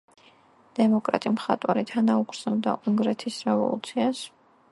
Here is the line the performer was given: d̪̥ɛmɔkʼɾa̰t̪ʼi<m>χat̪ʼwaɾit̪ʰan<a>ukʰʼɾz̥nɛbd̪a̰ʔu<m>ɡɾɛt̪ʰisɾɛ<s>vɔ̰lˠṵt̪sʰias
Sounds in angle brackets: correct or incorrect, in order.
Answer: correct, correct, incorrect: ŋ, incorrect: none

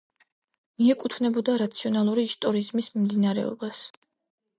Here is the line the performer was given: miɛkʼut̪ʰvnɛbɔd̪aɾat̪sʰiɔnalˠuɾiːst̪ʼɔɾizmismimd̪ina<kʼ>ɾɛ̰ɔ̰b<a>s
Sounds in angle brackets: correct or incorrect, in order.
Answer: incorrect: none, correct

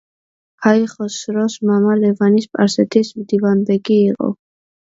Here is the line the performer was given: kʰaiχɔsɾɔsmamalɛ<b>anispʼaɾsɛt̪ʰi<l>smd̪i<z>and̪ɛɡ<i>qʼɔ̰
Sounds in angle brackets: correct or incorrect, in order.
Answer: incorrect: v, incorrect: none, incorrect: v, incorrect: iː

